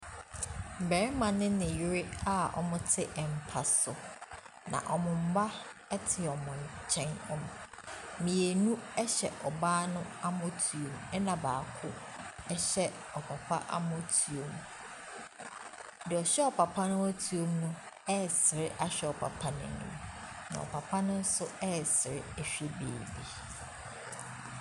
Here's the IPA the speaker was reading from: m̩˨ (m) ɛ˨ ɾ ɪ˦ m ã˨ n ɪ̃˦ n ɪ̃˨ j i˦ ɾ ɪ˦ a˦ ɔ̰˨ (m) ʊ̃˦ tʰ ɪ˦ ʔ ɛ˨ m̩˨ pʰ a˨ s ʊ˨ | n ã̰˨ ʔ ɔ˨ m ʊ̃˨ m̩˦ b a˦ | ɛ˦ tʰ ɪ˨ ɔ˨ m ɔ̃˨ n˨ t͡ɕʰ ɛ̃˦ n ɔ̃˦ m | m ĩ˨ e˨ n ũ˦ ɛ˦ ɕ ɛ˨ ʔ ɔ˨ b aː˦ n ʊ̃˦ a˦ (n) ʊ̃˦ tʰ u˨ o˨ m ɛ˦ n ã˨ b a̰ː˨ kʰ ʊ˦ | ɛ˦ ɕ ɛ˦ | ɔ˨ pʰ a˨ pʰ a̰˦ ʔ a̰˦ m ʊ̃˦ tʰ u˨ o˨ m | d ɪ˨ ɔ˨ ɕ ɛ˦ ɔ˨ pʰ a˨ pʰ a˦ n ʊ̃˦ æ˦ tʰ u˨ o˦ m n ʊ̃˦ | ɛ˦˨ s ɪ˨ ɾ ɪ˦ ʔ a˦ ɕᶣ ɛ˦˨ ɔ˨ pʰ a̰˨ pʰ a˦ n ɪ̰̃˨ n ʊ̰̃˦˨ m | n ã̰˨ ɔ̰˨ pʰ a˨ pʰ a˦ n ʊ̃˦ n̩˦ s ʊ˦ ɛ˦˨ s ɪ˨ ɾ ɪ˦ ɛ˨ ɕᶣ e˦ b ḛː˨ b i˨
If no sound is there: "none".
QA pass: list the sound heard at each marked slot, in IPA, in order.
b, m, m

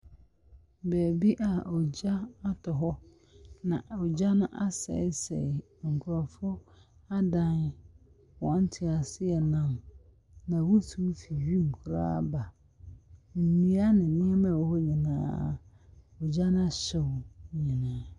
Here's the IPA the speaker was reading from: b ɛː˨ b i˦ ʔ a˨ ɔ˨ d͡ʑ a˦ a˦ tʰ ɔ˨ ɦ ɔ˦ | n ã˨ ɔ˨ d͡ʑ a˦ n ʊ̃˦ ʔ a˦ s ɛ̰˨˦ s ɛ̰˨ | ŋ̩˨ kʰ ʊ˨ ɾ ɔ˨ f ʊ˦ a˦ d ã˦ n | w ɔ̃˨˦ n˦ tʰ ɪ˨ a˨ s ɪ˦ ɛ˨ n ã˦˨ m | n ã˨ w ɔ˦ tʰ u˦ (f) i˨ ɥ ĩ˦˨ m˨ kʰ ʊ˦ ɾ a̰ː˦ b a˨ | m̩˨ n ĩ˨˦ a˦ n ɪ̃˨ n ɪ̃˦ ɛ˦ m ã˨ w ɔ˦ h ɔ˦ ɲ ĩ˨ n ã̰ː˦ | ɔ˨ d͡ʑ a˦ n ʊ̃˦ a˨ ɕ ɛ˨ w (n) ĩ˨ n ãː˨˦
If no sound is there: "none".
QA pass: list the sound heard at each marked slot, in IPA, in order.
f, ɲ

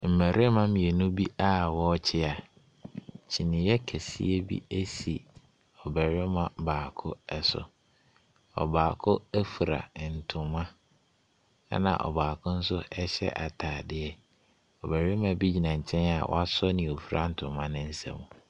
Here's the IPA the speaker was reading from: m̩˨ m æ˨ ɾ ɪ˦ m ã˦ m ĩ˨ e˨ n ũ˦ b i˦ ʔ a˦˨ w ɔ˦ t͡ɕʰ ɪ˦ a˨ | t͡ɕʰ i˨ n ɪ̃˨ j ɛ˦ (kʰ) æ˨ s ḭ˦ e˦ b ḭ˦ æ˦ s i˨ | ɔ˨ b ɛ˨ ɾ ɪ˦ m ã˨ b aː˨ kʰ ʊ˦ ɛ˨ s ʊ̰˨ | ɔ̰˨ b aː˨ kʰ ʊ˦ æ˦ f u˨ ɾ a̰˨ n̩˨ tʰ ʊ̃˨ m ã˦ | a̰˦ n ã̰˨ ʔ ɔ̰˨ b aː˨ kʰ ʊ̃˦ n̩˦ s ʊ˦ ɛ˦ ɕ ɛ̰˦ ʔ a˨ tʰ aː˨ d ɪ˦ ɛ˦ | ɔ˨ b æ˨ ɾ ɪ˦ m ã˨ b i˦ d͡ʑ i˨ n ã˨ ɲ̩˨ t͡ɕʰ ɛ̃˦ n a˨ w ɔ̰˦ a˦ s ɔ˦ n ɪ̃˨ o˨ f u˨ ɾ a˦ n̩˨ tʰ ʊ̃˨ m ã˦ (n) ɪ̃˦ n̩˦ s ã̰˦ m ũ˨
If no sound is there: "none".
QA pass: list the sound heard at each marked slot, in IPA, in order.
kʰ, n

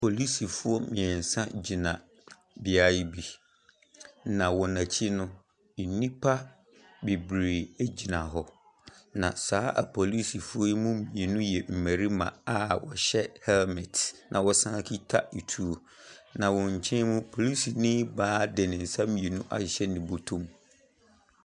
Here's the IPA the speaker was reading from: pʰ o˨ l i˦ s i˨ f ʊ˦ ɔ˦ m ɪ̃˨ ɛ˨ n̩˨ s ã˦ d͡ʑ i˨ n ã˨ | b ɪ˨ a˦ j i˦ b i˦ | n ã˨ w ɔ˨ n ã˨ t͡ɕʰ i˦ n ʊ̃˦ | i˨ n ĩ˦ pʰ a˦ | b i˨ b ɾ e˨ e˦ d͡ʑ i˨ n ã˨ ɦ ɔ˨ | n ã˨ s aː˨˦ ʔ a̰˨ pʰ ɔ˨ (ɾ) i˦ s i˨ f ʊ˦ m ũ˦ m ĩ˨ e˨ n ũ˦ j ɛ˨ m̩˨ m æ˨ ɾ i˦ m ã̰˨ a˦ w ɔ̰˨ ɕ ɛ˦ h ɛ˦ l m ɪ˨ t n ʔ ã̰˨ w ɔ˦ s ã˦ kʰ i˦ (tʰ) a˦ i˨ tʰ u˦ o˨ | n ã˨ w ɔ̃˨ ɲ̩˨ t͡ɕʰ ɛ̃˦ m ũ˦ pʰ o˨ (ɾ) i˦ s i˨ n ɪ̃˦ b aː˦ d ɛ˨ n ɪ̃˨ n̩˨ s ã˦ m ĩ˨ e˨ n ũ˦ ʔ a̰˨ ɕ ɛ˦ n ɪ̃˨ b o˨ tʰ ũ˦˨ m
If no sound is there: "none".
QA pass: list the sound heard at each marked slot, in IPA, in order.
l, tʰ, l

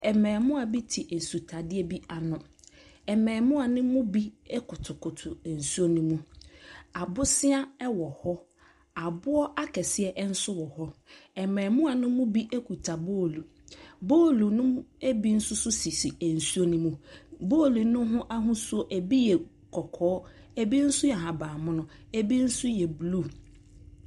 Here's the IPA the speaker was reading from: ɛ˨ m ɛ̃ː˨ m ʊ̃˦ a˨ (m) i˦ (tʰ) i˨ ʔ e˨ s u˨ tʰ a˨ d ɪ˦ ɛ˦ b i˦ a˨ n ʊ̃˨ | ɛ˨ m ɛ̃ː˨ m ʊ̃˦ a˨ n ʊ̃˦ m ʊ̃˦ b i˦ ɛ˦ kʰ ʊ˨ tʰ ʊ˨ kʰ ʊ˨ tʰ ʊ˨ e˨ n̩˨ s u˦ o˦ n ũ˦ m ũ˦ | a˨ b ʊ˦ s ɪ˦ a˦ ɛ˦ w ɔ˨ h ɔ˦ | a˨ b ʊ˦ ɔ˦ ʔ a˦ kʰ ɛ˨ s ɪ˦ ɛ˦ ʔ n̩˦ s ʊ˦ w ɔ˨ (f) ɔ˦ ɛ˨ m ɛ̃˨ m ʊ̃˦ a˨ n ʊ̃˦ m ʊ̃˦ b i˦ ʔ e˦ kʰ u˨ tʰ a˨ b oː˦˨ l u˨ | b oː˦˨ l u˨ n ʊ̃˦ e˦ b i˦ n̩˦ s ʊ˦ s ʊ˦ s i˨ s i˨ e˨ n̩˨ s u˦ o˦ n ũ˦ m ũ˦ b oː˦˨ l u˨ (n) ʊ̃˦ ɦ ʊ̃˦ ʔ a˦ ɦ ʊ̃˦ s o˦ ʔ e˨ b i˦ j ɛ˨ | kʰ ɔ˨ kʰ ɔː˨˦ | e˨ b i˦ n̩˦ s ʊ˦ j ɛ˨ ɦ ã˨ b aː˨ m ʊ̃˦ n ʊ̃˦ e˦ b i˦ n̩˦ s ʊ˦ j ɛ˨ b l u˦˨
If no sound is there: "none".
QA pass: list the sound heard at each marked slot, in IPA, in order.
b, tʰ, h, n

